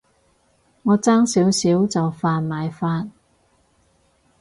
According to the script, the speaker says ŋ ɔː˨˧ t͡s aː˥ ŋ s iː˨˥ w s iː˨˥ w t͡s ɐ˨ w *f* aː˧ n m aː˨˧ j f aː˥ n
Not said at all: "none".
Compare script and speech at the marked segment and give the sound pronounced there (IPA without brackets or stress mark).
f